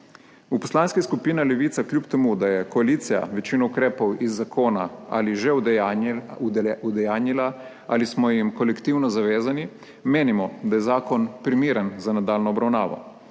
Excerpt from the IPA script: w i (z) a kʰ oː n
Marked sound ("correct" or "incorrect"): incorrect